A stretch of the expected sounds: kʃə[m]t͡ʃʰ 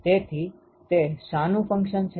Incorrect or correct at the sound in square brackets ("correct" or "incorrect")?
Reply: incorrect